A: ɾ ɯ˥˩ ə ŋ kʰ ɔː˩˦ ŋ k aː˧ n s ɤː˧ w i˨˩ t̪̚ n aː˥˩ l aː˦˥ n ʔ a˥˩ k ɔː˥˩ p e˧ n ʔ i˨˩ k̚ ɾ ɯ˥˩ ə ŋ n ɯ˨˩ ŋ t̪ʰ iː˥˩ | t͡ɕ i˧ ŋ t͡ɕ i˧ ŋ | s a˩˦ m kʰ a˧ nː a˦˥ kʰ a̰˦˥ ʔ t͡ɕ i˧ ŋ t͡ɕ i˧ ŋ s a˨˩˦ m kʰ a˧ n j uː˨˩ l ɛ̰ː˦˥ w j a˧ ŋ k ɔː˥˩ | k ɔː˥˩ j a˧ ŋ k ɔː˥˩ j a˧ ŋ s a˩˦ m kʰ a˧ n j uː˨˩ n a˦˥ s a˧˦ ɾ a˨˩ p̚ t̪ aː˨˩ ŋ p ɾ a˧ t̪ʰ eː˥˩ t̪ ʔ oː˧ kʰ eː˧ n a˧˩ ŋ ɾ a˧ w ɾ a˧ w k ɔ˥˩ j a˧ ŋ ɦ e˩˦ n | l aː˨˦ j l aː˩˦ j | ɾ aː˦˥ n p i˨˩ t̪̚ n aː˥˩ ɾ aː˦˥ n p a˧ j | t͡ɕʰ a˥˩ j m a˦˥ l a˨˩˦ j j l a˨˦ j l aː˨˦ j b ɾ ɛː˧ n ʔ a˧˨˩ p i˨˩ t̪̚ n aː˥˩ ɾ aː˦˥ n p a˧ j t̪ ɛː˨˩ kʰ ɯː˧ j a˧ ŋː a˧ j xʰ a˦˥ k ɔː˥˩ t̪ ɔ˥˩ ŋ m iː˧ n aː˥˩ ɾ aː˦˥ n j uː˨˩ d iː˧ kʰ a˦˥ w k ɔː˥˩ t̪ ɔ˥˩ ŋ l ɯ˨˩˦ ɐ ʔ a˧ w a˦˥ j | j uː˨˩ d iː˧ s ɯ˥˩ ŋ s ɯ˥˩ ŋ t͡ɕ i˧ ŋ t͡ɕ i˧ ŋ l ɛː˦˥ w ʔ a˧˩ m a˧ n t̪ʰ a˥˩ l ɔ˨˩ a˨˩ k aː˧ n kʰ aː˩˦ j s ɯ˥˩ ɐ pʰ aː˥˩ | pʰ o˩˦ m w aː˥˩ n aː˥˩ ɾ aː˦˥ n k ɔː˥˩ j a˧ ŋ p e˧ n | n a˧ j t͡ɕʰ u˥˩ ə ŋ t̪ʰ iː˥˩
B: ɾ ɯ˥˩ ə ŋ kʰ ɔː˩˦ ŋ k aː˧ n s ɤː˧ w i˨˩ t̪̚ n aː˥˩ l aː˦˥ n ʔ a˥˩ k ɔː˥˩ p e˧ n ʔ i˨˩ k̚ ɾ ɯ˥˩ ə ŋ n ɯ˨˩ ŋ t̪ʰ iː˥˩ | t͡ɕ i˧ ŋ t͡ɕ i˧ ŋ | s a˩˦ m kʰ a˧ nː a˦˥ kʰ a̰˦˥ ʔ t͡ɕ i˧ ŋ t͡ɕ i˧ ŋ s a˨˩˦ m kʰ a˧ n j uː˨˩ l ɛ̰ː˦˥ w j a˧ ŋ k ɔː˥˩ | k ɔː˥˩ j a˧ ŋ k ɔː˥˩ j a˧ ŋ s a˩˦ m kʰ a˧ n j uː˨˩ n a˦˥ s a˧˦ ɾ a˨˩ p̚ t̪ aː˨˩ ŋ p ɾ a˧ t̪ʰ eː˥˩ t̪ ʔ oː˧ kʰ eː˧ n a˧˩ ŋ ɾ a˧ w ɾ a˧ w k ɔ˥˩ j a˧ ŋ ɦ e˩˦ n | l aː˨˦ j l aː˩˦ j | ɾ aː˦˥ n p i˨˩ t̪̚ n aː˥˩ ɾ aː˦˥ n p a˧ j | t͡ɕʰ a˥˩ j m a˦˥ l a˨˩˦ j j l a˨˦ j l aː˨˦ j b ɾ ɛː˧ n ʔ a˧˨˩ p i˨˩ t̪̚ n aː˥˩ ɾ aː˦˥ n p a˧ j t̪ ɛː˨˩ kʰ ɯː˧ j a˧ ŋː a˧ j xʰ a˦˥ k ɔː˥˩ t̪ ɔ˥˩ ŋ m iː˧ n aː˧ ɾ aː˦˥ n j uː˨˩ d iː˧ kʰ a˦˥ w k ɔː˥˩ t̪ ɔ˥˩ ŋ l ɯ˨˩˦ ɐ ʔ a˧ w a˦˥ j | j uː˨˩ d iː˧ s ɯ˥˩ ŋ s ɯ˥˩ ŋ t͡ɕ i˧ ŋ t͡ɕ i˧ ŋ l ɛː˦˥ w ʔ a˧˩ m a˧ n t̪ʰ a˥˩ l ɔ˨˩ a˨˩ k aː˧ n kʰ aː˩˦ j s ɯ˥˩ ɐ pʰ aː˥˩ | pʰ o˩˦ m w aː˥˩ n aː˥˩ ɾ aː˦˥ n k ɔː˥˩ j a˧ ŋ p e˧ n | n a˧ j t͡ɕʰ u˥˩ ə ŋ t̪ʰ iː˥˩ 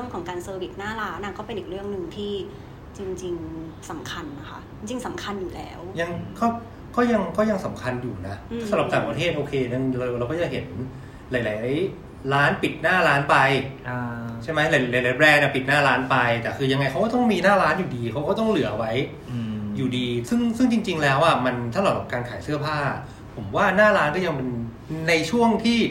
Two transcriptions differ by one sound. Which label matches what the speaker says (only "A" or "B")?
A